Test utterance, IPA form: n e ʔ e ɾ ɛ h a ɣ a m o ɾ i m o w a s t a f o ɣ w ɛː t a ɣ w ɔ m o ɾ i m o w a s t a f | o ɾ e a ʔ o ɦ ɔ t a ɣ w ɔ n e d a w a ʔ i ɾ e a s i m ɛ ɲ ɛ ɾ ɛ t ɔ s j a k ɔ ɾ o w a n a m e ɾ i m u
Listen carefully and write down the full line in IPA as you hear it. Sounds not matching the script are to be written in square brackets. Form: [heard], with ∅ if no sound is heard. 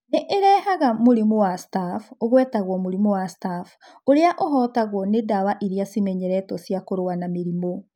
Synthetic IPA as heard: n e ʔ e ɾ ɛ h a ɣ a m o ɾ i m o w a s t a f o ɣ w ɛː t a ɣ w ɔ m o ɾ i m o w a s t a f | o ɾ e a ʔ o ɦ ɔ t a ɣ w ɔ n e d a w a ʔ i ɾ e a s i m ɛ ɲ ɛ ɾ ɛ t ɔ s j a k [o] ɾ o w a n a m e ɾ i m [o]